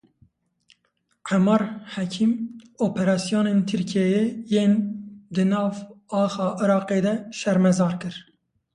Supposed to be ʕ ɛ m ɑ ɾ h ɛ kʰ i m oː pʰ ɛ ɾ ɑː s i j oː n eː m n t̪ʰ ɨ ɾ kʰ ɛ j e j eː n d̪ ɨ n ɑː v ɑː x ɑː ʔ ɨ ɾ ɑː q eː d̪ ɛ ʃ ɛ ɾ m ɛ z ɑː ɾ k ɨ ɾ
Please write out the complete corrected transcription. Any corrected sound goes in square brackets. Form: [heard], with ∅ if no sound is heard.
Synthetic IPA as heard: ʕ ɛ m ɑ ɾ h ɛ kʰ i m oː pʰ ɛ ɾ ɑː s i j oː n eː [∅] n t̪ʰ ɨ ɾ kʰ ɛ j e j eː n d̪ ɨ n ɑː v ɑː x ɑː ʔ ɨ ɾ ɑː q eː d̪ ɛ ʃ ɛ ɾ m ɛ z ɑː ɾ k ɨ ɾ